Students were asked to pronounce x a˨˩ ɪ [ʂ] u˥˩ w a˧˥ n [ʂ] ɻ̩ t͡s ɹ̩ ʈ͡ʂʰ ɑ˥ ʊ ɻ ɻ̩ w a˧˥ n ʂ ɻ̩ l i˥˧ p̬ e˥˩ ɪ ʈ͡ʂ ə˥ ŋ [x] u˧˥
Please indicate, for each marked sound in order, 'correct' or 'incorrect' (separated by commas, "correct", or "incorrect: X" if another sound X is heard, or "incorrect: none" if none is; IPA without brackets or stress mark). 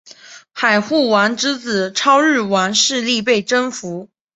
incorrect: x, incorrect: ʈ͡ʂ, incorrect: f